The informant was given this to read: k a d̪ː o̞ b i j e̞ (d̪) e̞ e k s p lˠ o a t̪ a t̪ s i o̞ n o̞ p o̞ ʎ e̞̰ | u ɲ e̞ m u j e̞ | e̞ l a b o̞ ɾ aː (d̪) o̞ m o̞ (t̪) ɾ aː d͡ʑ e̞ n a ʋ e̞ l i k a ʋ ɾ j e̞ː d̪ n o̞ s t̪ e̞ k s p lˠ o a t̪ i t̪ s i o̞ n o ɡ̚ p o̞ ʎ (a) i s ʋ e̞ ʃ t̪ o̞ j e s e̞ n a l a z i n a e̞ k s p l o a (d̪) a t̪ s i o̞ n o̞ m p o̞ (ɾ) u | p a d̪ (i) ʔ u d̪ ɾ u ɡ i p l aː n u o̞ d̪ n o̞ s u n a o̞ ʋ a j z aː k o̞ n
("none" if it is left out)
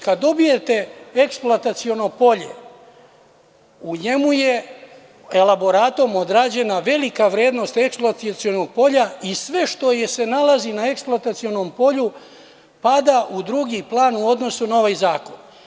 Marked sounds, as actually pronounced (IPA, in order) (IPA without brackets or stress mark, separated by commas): t̪, t̪, d̪, a, t̪, ʎ, a